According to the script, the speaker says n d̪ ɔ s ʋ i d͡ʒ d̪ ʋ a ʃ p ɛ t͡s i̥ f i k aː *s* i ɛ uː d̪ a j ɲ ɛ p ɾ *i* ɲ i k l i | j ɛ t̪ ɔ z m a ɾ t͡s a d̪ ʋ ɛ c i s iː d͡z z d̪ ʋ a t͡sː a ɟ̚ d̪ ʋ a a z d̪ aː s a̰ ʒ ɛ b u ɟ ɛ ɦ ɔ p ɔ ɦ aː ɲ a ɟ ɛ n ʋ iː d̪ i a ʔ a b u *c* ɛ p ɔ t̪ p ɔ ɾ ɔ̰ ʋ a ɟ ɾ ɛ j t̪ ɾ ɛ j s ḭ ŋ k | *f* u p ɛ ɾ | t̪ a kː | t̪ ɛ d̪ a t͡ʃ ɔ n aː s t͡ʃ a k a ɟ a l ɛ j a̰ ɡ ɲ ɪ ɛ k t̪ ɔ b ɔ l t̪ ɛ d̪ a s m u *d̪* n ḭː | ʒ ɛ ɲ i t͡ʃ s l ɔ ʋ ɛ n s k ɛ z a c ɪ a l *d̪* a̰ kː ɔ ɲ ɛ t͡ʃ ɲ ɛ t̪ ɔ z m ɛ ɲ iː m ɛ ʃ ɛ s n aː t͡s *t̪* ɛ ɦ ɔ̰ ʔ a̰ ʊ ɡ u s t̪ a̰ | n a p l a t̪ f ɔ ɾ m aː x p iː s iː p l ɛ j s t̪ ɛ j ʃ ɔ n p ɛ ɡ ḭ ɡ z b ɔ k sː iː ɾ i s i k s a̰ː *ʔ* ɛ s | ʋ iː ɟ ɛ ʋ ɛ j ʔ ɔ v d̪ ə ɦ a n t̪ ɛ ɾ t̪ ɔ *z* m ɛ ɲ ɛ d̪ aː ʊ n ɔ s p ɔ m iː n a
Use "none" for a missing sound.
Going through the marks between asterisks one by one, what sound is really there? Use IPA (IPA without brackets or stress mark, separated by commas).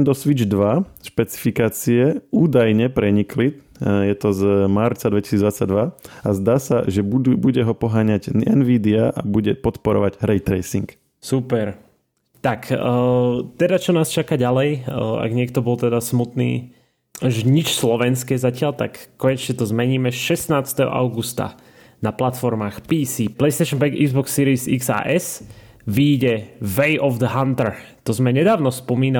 t͡s, ɛ, ɟ, s, t̪, t̪, t̪, ʔ, z